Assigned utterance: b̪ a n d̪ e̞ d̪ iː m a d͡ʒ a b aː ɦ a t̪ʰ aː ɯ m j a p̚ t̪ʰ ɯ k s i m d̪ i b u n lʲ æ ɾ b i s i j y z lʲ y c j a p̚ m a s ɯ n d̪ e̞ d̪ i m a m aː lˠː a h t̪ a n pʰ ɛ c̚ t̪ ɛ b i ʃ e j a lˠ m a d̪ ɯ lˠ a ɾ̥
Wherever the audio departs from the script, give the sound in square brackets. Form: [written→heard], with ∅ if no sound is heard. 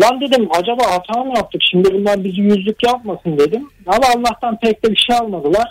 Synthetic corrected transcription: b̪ a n d̪ e̞ d̪ [iː→i] m a d͡ʒ a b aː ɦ a t̪ʰ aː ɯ m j a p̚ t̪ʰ ɯ k [s→ʃ] i m d̪ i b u n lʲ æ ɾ b i [s→z] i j y z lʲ y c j a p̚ m a s ɯ n d̪ e̞ d̪ i m a m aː lˠː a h t̪ a n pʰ ɛ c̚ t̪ ɛ b i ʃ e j a lˠ m a d̪ ɯ lˠ a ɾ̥